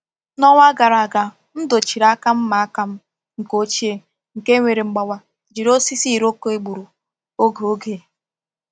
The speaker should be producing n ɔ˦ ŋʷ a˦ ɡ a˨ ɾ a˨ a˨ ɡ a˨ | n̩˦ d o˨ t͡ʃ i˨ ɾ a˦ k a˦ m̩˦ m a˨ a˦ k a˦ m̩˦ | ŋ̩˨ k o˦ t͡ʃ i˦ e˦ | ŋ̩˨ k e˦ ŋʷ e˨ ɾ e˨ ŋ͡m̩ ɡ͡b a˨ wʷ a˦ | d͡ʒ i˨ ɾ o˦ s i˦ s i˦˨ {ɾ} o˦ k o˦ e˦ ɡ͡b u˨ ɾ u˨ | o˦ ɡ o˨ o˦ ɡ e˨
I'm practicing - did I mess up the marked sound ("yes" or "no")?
no